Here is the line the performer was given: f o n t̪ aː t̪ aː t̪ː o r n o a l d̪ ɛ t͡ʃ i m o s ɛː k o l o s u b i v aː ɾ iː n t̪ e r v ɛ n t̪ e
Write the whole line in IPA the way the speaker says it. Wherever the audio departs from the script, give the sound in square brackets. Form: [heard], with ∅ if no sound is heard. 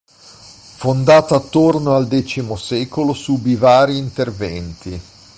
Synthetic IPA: f o n [d̪] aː t̪ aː t̪ː o r n o a l d̪ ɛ t͡ʃ i m o s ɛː k o l o s u b i v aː ɾ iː n t̪ e r v ɛ n t̪ [i]